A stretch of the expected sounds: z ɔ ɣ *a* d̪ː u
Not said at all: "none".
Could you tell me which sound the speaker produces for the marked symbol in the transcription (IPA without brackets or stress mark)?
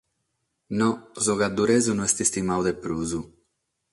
a